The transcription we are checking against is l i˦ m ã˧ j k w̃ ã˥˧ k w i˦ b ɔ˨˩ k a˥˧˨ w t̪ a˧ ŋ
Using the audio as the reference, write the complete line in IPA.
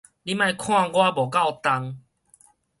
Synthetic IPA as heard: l i˦ m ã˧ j kʰ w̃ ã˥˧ ɡ w a˦ b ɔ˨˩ k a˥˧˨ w t̪ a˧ ŋ